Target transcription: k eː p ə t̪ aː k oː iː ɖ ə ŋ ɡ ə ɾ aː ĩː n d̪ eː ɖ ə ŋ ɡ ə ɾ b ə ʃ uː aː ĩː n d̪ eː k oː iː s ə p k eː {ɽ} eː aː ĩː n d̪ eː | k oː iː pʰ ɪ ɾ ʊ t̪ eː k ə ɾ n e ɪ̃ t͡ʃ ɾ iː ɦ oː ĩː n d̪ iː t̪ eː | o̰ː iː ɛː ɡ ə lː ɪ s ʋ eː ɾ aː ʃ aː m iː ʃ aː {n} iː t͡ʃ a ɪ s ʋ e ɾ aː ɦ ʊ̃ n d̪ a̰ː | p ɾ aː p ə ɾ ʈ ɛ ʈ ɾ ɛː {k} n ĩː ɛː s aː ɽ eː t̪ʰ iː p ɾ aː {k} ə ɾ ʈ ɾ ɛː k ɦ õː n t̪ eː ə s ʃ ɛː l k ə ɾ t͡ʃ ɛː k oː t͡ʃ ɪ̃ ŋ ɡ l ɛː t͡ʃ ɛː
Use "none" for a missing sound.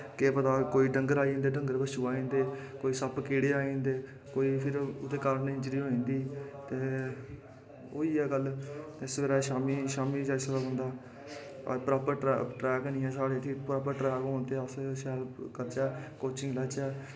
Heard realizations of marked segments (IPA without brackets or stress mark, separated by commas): ɽ, m, k, p